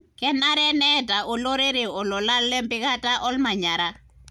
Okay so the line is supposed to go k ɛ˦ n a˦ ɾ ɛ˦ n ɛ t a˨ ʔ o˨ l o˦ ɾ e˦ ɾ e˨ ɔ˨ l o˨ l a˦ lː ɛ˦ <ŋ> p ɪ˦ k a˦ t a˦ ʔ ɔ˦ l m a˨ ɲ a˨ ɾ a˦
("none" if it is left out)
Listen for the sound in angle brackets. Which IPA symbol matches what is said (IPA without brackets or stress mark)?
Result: m